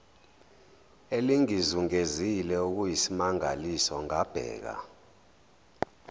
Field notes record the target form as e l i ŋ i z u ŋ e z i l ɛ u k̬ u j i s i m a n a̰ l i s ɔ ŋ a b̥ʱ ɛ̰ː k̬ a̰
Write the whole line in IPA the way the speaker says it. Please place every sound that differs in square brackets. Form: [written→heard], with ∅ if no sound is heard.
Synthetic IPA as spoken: e l i ŋ i z u ŋ e z i l ɛ u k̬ u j i s i m a [n→ŋ] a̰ l i s ɔ ŋ a b̥ʱ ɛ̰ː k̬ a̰